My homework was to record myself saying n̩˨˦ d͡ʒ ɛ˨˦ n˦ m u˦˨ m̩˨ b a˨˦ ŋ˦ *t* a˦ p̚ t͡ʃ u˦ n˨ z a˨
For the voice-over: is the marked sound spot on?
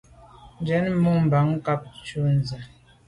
no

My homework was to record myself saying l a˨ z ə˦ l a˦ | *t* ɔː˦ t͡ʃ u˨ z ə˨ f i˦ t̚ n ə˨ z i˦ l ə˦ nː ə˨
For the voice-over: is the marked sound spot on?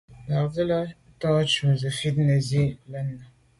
yes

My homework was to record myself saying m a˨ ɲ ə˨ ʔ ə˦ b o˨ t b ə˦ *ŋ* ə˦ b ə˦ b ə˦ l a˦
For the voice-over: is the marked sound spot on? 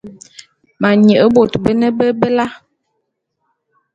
no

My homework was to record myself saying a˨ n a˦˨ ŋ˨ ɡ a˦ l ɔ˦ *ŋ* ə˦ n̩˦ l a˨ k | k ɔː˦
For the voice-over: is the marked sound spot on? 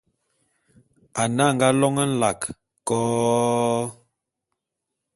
yes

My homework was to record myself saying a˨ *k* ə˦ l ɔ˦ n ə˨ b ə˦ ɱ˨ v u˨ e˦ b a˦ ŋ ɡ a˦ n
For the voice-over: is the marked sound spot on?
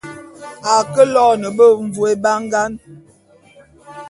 yes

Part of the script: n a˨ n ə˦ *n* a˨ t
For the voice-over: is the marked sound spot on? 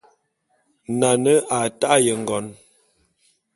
no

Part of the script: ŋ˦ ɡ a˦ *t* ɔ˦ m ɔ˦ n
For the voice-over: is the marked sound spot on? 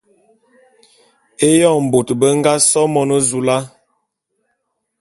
no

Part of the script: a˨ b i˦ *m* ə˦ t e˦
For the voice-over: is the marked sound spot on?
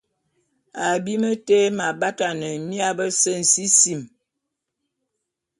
yes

